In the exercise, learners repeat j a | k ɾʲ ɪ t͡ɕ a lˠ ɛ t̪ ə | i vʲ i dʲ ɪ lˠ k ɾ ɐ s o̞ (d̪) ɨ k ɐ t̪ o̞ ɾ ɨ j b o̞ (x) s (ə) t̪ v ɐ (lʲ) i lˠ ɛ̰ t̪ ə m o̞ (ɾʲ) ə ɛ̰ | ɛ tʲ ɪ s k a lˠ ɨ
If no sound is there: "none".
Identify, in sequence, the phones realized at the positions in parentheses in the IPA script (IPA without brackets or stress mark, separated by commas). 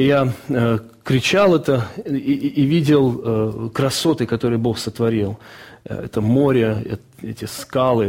t̪, x, ə, ɾʲ, ɾʲ